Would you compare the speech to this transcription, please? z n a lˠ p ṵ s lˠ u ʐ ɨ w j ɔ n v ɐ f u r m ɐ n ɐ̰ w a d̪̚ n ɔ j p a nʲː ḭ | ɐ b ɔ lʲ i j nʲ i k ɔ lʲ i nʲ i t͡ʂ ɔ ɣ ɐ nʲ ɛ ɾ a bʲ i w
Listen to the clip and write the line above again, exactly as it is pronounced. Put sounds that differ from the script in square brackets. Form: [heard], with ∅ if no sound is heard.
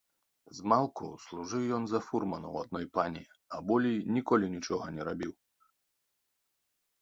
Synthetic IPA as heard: z [m] a lˠ [k] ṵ s lˠ u ʐ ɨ w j ɔ n [z] ɐ f u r m ɐ n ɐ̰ w a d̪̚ n ɔ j p a [nʲ] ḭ | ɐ b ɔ lʲ i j nʲ i k ɔ lʲ i nʲ i t͡ʂ ɔ ɣ ɐ nʲ ɛ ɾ a bʲ i w